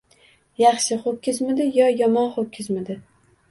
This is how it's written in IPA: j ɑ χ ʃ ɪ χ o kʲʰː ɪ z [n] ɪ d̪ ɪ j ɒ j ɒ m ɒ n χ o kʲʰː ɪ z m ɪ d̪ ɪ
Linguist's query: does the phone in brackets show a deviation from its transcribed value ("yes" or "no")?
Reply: yes